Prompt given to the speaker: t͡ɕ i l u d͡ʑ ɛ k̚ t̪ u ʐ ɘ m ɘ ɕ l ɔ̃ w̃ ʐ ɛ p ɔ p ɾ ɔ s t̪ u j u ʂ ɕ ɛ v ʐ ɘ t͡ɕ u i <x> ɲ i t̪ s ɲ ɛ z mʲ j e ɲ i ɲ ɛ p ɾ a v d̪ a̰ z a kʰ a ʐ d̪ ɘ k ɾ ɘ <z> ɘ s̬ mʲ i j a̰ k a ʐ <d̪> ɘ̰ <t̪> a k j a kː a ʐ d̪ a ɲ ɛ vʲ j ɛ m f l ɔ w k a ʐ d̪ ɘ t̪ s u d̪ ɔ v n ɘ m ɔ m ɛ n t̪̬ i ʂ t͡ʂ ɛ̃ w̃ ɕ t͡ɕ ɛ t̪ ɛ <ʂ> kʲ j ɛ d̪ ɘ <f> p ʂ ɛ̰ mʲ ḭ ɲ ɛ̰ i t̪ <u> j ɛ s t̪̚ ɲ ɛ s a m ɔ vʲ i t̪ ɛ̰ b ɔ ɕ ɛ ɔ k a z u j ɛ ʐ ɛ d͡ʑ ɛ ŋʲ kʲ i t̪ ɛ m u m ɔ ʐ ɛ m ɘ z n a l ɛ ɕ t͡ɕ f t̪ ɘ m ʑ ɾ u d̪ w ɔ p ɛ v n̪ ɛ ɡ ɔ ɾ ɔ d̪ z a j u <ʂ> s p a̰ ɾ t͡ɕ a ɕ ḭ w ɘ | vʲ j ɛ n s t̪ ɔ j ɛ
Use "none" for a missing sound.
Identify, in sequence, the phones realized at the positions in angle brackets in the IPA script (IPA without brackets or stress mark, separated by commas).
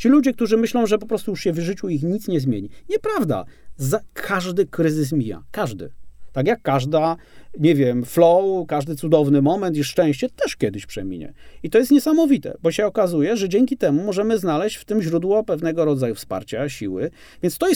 x, z, d̪, t̪, ʂ, ɕ, ɔ, f